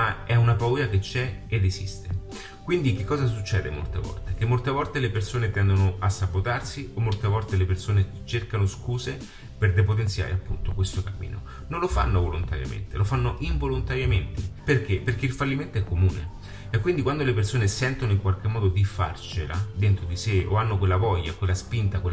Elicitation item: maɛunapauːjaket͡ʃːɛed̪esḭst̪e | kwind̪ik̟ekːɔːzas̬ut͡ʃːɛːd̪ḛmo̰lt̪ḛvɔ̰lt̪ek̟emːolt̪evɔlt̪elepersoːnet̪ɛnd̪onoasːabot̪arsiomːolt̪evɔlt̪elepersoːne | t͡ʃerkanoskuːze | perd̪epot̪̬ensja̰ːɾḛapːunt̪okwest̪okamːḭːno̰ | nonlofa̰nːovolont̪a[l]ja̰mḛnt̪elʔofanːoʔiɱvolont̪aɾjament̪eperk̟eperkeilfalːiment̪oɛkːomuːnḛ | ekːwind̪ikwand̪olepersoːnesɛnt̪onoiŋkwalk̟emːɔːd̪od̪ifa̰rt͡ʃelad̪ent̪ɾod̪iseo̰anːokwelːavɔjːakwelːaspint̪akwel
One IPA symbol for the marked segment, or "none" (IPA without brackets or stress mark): ɾ